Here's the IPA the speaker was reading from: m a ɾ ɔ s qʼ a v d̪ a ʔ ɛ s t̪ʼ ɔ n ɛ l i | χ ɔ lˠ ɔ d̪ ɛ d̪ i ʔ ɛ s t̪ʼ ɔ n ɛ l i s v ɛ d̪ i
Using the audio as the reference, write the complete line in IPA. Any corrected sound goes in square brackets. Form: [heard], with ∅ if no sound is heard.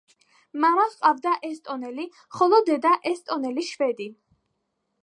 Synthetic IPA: m a ɾ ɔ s qʼ a v d̪ a ʔ ɛ s t̪ʼ ɔ n ɛ l i | χ ɔ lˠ ɔ d̪ ɛ d̪ [a] ʔ ɛ s t̪ʼ ɔ n ɛ l i [ʃ] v ɛ d̪ i